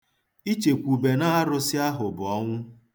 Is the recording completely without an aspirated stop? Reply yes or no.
yes